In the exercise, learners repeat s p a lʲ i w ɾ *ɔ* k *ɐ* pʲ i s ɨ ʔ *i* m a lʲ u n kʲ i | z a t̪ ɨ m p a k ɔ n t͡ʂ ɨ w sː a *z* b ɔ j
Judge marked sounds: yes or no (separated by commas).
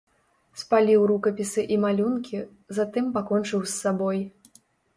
no, yes, yes, no